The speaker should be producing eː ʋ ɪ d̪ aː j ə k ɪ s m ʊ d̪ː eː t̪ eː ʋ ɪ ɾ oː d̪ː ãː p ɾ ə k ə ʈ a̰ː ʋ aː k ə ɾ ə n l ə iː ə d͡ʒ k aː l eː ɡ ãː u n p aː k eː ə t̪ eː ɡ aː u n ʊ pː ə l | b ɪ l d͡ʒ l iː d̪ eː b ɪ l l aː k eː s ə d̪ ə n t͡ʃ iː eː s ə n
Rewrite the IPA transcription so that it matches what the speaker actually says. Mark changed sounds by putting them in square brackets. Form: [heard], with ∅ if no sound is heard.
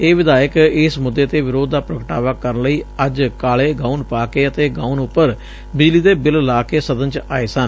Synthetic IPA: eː ʋ ɪ d̪ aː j ə k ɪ s m ʊ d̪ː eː t̪ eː ʋ ɪ ɾ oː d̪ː [aː] p ɾ ə k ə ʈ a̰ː ʋ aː k ə ɾ ə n l ə iː ə d͡ʒ k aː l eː ɡ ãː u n p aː k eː ə t̪ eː ɡ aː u n ʊ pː ə [ɾ] | b ɪ [∅] d͡ʒ l iː d̪ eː b ɪ l l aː k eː s ə d̪ ə n t͡ʃ [aː] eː s ə n